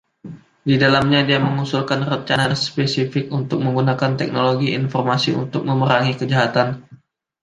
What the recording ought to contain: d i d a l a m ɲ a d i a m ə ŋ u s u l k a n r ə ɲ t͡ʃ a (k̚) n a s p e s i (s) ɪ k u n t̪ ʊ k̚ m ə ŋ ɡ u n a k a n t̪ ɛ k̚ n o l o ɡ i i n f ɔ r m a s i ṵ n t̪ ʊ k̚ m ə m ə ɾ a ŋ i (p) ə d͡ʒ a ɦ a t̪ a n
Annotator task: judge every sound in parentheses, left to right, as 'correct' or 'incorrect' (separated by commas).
incorrect, incorrect, incorrect